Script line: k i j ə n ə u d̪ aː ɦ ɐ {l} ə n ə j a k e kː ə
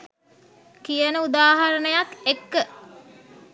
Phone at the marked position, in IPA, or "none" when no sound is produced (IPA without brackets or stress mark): ɾ